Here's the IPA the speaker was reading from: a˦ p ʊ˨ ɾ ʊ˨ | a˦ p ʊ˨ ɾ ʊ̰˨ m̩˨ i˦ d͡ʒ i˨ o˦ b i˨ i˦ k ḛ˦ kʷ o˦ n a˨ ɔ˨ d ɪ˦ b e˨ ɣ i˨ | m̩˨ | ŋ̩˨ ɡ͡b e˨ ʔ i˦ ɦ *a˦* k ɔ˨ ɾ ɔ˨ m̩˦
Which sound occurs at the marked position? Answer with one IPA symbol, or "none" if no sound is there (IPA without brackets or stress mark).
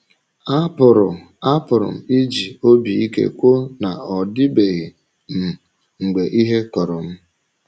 e˦